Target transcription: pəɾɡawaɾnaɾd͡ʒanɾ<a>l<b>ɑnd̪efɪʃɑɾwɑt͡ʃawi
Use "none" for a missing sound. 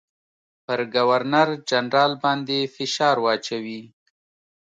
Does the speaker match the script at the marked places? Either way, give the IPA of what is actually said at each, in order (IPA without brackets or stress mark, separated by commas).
ɑ, b